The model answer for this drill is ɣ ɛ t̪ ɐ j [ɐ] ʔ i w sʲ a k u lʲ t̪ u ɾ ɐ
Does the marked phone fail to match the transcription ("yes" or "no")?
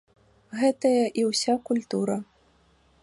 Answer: no